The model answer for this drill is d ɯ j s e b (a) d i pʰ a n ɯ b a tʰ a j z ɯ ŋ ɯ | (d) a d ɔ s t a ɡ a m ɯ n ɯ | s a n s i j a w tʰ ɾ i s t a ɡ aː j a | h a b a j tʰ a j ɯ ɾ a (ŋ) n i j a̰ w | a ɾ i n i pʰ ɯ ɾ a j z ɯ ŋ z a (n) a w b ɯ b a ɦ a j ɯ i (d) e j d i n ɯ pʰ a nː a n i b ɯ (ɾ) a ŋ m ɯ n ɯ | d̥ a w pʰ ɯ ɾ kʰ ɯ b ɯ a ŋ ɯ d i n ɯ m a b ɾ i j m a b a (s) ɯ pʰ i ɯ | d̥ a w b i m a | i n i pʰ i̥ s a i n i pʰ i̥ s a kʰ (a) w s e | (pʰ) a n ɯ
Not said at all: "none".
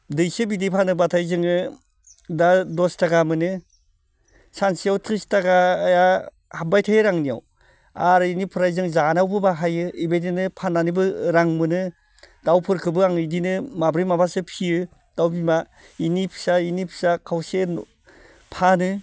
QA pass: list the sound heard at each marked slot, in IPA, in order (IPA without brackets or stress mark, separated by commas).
i, d, ŋ, n, b, ɾ, s, a, pʰ